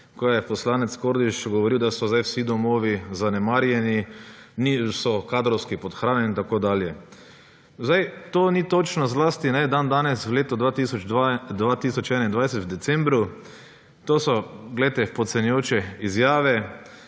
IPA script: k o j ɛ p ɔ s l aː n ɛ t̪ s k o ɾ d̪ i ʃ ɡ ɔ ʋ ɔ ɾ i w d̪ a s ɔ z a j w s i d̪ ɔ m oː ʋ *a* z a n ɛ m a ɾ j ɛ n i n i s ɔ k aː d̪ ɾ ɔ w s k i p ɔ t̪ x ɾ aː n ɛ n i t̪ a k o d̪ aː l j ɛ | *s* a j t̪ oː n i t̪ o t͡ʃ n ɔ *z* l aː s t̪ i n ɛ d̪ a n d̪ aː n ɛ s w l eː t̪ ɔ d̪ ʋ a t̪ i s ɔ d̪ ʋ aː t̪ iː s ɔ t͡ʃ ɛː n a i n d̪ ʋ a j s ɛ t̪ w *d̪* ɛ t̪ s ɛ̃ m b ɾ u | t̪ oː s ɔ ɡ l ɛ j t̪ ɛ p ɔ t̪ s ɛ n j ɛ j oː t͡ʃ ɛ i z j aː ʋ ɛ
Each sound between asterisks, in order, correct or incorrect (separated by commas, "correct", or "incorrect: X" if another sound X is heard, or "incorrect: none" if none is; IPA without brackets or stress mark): incorrect: i, incorrect: z, correct, correct